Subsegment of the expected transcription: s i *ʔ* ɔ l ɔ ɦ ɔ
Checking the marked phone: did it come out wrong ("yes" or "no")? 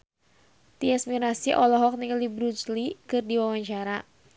no